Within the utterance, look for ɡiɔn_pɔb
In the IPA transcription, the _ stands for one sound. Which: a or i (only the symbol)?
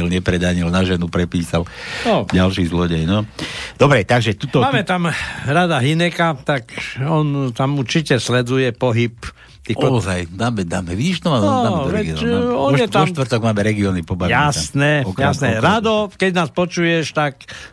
i